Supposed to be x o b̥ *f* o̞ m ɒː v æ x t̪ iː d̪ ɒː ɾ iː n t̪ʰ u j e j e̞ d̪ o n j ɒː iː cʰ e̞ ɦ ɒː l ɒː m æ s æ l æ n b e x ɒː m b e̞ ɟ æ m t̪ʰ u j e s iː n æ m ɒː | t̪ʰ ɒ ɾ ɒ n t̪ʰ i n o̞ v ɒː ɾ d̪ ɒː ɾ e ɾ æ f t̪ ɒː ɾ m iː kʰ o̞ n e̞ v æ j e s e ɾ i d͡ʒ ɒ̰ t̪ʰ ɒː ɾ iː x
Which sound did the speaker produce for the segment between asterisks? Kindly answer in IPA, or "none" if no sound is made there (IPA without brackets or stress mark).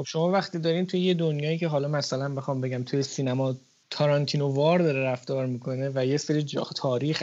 ʃ